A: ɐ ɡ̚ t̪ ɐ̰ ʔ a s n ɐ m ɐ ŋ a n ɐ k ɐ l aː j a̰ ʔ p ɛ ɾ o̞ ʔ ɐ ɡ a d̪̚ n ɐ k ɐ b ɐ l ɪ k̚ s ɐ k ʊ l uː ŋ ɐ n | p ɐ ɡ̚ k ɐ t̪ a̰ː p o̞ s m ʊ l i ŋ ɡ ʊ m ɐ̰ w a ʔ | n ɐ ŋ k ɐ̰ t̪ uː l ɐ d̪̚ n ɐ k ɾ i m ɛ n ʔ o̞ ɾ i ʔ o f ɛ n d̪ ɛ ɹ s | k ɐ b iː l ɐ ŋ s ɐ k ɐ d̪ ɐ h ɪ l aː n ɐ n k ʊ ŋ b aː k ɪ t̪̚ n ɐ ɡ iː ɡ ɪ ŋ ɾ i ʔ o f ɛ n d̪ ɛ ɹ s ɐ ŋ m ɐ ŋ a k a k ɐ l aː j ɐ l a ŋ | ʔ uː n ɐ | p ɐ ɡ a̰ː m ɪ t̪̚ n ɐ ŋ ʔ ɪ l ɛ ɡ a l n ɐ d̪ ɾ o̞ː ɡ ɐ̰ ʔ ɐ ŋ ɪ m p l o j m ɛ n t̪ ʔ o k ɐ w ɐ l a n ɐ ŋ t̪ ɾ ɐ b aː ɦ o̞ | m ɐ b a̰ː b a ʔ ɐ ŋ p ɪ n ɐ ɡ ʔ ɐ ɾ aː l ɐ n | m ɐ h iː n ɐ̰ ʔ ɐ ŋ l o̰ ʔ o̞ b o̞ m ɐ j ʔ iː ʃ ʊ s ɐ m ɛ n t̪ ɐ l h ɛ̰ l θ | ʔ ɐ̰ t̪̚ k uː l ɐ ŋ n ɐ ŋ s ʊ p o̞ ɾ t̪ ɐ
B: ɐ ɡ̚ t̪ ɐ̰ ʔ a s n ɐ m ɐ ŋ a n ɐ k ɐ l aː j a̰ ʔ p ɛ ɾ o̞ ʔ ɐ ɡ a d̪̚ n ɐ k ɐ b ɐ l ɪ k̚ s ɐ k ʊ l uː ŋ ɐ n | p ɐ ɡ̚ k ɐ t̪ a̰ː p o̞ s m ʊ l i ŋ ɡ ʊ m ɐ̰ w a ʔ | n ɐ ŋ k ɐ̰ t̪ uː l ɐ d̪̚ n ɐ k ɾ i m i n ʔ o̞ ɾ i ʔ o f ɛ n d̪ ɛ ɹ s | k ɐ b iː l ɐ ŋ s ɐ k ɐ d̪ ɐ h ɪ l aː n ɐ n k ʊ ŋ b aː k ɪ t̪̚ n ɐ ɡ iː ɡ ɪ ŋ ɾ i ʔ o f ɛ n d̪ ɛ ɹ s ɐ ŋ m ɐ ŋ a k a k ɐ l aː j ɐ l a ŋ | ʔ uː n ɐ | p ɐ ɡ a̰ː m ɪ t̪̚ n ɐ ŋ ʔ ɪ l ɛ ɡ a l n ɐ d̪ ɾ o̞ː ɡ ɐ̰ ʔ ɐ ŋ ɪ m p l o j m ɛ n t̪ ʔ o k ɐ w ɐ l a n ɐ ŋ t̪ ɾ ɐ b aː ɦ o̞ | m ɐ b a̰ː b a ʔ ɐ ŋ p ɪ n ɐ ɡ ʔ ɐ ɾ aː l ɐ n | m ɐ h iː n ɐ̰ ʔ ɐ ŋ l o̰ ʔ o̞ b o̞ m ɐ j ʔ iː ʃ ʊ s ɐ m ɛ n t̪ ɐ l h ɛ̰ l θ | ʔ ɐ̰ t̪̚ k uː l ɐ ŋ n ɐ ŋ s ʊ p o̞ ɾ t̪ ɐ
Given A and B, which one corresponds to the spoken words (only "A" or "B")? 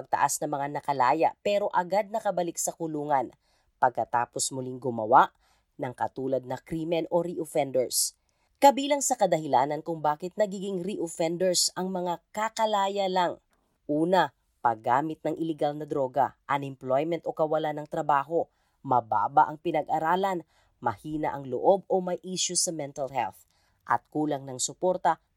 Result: A